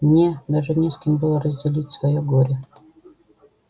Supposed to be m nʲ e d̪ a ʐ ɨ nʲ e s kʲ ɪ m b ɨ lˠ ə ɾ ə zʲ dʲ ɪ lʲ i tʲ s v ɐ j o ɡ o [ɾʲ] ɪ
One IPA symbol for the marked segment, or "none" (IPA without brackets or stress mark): ɾʲ